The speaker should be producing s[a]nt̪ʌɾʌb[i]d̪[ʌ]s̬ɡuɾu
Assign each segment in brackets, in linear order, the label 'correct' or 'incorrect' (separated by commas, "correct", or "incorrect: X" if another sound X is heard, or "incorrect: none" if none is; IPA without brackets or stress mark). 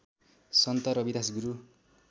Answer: incorrect: ʌ, correct, incorrect: a